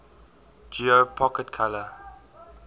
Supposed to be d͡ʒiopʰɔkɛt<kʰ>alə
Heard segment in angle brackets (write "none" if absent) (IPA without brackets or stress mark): kʰ